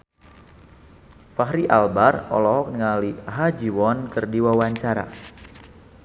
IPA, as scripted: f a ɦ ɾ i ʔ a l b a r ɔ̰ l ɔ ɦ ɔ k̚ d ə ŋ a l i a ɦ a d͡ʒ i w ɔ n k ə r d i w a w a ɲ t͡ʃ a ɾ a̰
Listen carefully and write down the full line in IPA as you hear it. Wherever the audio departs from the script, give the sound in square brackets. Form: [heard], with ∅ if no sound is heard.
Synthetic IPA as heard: f a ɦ ɾ i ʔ a l b a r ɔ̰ l ɔ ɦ ɔ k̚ [n] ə ŋ a l i a ɦ a d͡ʒ i w ɔ n k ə r d i w a w a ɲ t͡ʃ a ɾ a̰